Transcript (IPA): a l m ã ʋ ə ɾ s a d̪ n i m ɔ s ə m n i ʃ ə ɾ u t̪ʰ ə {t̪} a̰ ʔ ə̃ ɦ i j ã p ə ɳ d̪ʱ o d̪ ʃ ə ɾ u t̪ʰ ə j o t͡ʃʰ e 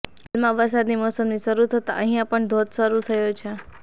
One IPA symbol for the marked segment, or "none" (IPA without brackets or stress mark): t̪